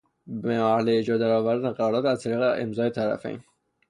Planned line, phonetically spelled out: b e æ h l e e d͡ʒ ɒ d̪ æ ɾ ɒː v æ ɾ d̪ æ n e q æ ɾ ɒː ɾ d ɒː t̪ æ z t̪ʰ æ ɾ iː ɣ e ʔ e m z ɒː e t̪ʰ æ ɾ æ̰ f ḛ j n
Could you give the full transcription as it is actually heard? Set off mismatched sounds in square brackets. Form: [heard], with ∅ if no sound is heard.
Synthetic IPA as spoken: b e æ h l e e d͡ʒ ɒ d̪ æ ɾ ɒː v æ ɾ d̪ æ n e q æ ɾ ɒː ɾ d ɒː t̪ æ z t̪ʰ æ ɾ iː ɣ e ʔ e m z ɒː e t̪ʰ æ ɾ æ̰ f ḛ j n